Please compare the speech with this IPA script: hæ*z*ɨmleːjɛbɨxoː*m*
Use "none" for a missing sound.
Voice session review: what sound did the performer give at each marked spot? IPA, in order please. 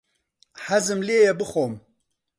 z, m

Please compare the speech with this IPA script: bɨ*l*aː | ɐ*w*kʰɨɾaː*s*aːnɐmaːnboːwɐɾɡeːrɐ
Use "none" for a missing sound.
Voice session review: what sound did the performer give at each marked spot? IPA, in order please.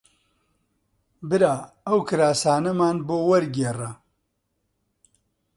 ɾ, w, s

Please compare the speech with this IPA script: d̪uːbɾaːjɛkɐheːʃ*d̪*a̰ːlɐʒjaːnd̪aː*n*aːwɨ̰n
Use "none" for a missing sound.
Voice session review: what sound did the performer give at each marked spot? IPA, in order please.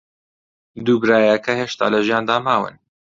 t̪, m

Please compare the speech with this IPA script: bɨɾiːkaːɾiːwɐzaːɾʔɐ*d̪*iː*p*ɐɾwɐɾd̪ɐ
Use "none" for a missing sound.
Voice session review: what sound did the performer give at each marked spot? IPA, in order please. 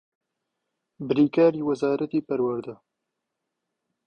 t̪, p

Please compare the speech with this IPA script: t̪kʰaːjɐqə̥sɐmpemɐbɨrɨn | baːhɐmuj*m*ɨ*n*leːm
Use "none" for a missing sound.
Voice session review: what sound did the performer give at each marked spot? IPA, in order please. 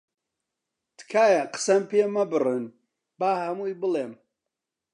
b, none

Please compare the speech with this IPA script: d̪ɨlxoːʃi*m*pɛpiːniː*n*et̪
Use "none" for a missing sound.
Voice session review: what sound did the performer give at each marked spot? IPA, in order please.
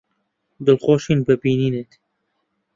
n, n

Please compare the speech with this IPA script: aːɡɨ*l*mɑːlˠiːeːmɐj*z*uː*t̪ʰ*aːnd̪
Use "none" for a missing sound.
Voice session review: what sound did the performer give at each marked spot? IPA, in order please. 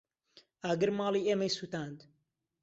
ɾ, s, t̪

